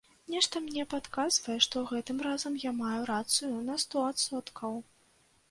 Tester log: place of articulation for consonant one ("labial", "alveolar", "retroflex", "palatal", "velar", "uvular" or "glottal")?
alveolar